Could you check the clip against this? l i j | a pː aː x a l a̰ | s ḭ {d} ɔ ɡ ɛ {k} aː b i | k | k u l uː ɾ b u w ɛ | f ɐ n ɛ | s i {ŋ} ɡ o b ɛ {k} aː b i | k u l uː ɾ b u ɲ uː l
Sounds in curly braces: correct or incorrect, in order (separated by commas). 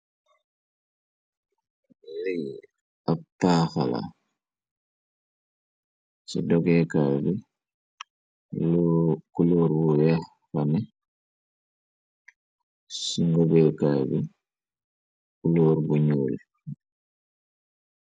correct, correct, correct, correct